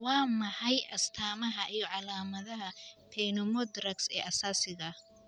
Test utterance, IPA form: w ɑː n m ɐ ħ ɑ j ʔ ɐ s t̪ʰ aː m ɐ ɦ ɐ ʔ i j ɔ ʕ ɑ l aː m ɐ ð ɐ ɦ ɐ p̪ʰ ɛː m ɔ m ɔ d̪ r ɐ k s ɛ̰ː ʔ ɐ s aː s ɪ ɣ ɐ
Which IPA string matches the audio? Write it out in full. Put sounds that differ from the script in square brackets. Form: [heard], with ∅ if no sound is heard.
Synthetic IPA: w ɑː [∅] m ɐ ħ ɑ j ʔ ɐ s t̪ʰ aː m ɐ ɦ ɐ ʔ i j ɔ ʕ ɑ l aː m ɐ ð ɐ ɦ ɐ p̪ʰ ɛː [n] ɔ m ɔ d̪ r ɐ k s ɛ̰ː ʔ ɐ s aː s ɪ ɣ ɐ